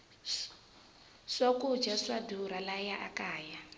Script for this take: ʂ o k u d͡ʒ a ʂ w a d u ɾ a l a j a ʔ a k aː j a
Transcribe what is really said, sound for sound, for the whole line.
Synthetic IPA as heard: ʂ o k u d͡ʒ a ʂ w a d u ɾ a l a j a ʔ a k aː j a